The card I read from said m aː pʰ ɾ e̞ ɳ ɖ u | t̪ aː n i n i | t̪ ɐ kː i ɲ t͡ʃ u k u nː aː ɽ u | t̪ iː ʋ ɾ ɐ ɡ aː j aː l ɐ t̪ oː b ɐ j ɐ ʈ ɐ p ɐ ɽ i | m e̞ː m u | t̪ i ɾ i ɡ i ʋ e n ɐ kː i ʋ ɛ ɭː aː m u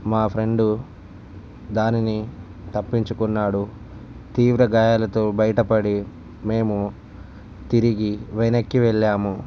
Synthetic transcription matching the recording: m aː pʰ ɾ e̞ ɳ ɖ u | d̪ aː n i n i | t̪ ɐ pː i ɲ t͡ʃ u k u nː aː ɽ u | t̪ iː ʋ ɾ ɐ ɡ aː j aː l ɐ t̪ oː b ɐ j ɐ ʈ ɐ p ɐ ɽ i | m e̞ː m u | t̪ i ɾ i ɡ i ʋ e n ɐ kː i ʋ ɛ ɭː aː m u